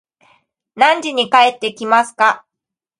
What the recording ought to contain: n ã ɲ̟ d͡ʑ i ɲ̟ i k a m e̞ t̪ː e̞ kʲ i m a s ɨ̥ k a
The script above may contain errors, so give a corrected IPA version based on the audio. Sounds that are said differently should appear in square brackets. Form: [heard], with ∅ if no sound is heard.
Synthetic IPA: n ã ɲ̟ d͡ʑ i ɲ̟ i k a [∅] e̞ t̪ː e̞ kʲ i m a s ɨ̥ k a